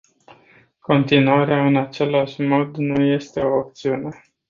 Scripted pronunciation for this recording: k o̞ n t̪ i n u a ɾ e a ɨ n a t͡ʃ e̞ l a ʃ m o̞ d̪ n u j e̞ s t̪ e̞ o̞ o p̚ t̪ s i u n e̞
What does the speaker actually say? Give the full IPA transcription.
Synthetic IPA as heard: k o̞ n t̪ i n u a ɾ e a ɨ n a t͡ʃ e̞ l a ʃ m o̞ d̪ n u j e̞ s t̪ e̞ o̞ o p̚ t̪ s i u n e̞